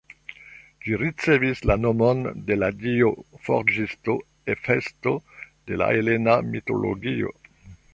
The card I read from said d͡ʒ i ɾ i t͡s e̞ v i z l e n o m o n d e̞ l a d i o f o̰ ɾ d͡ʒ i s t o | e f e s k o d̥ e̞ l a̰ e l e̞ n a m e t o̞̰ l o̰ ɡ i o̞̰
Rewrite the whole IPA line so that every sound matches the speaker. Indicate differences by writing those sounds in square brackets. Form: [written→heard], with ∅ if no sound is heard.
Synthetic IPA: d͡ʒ i ɾ i t͡s e̞ v i [z→s] l [e→a] n o m o n d e̞ l a d i o f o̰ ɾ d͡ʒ i s t o | e f e s [k→t] o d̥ e̞ l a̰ e l e̞ n a m [e→i] t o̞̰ l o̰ ɡ i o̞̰

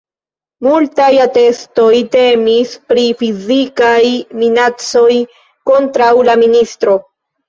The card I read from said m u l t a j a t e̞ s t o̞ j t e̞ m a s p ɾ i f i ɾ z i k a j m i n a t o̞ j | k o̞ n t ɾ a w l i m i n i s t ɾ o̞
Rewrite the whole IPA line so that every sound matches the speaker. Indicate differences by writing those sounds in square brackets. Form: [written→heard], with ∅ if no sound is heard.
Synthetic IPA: m u l t a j a t e̞ s t o̞ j t e̞ m [a→i] s p ɾ i f i [ɾ→∅] z i k a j m i n a [t→t͡s] o̞ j | k o̞ n t ɾ a w l [i→a] m i n i s t ɾ o̞

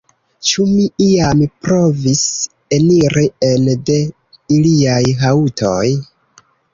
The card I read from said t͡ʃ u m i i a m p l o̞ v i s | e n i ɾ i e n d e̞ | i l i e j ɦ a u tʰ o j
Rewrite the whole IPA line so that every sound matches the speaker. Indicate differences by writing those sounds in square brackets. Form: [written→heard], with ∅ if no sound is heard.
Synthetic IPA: t͡ʃ u m i i a m p [l→ɾ] o̞ v i s | e n i ɾ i e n d e̞ | i l i [e→a] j ɦ a u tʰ o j

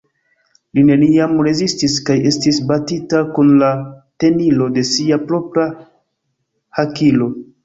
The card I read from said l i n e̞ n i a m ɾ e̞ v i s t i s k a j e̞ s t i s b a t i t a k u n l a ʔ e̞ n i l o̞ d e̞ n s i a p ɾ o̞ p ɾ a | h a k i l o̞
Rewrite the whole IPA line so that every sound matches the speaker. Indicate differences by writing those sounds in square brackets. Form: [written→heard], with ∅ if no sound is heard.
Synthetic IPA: l i n e̞ n i a m ɾ e̞ [v→z] i s t i s k a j e̞ s t i s b a t i t a k u n l a [ʔ→t] e̞ n i l o̞ d e̞ [n→∅] s i a p ɾ o̞ p ɾ a | h a k i l o̞

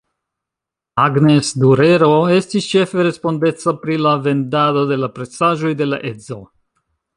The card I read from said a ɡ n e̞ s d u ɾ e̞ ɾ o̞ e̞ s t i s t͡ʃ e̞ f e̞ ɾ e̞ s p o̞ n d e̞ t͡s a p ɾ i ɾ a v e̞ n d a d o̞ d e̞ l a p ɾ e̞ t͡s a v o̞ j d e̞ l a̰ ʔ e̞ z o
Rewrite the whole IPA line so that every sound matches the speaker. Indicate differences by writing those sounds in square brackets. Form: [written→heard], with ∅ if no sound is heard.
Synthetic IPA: a ɡ n e̞ s d u ɾ e̞ ɾ o̞ e̞ s t i s t͡ʃ e̞ f e̞ ɾ e̞ s p o̞ n d e̞ t͡s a p ɾ i [ɾ→l] a v e̞ n d a d o̞ d e̞ l a p ɾ e̞ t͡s a [v→ʒ] o̞ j d e̞ l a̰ ʔ e̞ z o

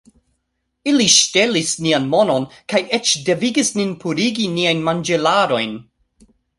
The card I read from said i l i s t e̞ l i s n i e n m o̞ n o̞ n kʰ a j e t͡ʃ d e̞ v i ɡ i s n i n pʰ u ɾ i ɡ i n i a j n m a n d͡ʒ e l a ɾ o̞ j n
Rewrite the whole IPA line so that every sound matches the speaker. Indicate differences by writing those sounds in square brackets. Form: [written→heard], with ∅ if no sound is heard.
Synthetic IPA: i l i [s→ʃ] t e̞ l i s n i [e→a] n m o̞ n o̞ n [kʰ→k] a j e t͡ʃ d e̞ v i ɡ i s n i n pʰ u ɾ i ɡ i n i a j n m a n d͡ʒ e l a ɾ o̞ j n

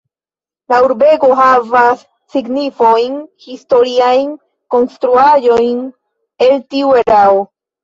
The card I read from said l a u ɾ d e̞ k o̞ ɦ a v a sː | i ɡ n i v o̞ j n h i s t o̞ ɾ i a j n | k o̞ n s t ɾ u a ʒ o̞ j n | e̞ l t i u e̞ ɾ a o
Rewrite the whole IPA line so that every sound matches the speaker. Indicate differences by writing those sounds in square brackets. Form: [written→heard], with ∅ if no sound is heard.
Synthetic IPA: l a u ɾ [d→b] e̞ k o̞ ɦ a v a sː | i ɡ n i [v→f] o̞ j n h i s t o̞ ɾ i a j n | k o̞ n s t ɾ u a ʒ o̞ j n | e̞ l t i u e̞ ɾ a o

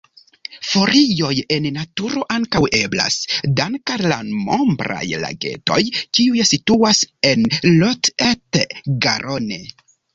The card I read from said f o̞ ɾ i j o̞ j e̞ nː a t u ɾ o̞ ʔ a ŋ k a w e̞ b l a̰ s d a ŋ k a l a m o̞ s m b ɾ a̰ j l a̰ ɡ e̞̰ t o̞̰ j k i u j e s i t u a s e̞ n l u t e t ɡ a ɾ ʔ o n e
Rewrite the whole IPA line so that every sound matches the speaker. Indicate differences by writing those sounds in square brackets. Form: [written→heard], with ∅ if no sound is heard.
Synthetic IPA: f o̞ ɾ i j o̞ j e̞ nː a t u ɾ o̞ ʔ a ŋ k a w e̞ b l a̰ s d a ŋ k a l a m o̞ [s→∅] m b ɾ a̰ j l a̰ ɡ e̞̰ t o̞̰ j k i u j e s i t u a s e̞ n l [u→o] t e t ɡ a ɾ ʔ o n e

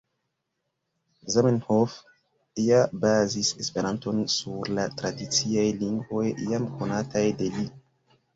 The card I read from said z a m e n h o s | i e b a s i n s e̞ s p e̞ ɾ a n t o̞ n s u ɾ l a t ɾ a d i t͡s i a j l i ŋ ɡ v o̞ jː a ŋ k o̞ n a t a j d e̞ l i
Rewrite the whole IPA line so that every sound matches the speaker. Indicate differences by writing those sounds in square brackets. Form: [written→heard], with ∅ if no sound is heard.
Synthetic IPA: z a m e n h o [s→f] | i [e→a] b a [s→z] i [n→∅] s e̞ s p e̞ ɾ a n t o̞ n s u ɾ l a t ɾ a d i t͡s i a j l i ŋ ɡ v o̞ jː a [ŋ→m] k o̞ n a t a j d e̞ l i

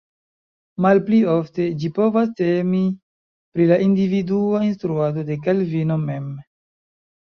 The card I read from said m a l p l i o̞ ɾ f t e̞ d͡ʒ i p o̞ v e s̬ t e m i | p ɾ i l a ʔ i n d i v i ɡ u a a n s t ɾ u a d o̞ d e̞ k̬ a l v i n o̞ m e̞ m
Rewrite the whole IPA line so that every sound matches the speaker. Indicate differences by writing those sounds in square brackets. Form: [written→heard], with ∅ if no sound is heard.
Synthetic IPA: m a l p l i o̞ [ɾ→∅] f t e̞ d͡ʒ i p o̞ v [e→a] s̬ t e m i | p ɾ i l a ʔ i n d i v i [ɡ→d] u a [a→i] n s t ɾ u a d o̞ d e̞ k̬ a l v i n o̞ m e̞ m

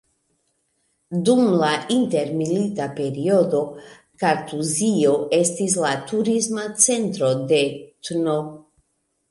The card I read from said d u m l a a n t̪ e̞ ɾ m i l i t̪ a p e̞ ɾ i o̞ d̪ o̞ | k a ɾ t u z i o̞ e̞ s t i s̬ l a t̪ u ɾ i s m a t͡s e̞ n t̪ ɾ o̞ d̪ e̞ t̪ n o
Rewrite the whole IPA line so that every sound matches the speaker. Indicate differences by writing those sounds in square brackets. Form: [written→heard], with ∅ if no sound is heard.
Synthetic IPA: d u m l a [a→i] n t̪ e̞ ɾ m i l i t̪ a p e̞ ɾ i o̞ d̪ o̞ | k a ɾ t u z i o̞ e̞ s t i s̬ l a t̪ u ɾ i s m a t͡s e̞ n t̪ ɾ o̞ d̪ e̞ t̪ n o

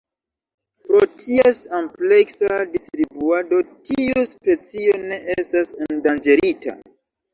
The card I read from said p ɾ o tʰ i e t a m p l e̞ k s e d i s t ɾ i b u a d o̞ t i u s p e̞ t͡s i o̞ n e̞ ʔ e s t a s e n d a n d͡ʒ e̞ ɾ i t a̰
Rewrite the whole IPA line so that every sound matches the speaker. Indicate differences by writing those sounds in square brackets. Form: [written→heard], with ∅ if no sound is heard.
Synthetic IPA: p ɾ o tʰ i e [t→s] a m p l e̞ k s [e→a] d i s t ɾ i b u a d o̞ t i u s p e̞ t͡s i o̞ n e̞ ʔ e s t a s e n d a n d͡ʒ e̞ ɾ i t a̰

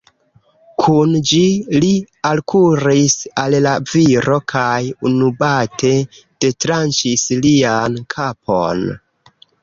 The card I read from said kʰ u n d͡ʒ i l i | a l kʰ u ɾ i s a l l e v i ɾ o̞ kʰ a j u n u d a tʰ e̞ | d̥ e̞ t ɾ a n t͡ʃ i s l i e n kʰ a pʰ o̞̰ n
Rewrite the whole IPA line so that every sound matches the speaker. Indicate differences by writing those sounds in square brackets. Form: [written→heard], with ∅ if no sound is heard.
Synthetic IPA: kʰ u n d͡ʒ i l i | a l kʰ u ɾ i s a l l [e→a] v i ɾ o̞ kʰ a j u n u [d→b] a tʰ e̞ | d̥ e̞ t ɾ a n t͡ʃ i s l i [e→a] n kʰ a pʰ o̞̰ n

